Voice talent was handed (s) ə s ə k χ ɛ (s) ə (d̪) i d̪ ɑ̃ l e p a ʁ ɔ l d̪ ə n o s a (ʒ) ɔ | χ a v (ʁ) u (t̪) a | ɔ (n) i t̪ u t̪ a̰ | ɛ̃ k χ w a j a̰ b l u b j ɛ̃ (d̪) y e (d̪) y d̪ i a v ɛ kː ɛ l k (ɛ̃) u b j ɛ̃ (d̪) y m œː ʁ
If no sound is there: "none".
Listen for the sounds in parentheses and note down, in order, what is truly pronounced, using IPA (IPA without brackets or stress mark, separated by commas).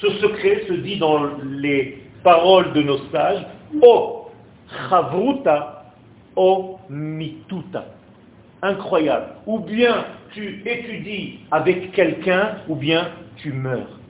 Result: s, s, d̪, ʒ, ʁ, t̪, m, t̪, t̪, ɛ̃, t̪